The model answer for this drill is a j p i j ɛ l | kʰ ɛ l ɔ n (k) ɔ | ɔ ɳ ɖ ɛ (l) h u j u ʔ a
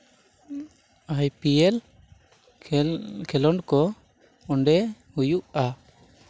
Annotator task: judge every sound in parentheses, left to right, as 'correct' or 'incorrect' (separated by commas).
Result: correct, incorrect